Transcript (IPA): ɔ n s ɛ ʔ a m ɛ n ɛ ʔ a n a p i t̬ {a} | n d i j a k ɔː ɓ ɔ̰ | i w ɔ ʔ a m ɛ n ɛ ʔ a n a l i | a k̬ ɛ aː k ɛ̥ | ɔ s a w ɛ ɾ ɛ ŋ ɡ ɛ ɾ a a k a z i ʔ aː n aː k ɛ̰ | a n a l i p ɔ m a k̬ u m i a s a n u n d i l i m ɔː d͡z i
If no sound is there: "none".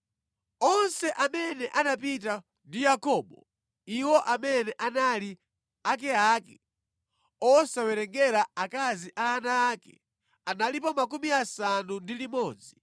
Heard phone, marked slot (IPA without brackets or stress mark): a